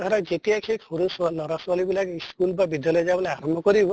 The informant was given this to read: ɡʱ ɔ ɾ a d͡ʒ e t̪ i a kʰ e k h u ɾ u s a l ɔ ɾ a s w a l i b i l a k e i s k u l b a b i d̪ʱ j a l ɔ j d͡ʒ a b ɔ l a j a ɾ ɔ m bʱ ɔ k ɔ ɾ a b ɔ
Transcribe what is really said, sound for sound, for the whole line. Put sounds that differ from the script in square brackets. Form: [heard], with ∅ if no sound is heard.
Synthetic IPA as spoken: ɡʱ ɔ ɾ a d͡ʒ e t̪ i a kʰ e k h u ɾ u s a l ɔ ɾ a s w a l i b i l a k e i s k u l b a b i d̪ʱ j a l ɔ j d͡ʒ a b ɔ l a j a ɾ ɔ m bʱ ɔ k ɔ ɾ [i] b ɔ